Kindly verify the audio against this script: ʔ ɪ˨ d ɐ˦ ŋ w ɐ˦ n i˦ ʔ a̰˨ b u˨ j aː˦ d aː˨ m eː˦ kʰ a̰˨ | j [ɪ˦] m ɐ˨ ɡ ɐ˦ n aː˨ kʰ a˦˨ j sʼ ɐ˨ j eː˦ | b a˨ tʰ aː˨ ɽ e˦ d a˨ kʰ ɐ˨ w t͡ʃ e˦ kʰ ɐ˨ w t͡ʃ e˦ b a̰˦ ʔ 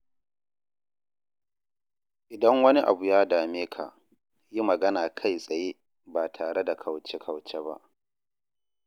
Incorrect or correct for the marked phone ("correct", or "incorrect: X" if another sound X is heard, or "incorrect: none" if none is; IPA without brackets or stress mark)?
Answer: incorrect: i˦